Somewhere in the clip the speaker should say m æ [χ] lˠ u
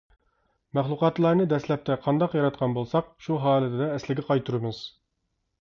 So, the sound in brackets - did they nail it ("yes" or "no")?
yes